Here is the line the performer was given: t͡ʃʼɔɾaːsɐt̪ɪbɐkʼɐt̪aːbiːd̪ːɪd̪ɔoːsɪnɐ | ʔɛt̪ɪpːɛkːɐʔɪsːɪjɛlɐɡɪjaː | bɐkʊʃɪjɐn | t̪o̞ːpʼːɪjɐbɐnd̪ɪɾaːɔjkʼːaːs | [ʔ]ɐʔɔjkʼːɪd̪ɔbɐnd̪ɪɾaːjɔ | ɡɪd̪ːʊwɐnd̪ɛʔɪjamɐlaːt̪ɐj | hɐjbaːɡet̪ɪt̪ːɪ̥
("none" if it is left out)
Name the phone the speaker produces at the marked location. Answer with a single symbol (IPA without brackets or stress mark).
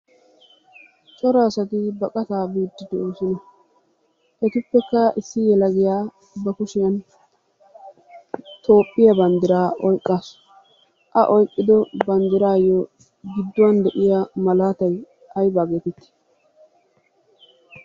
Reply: ʔ